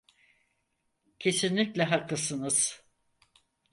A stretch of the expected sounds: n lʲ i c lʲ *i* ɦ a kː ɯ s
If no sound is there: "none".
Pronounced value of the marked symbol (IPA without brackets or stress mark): ɛ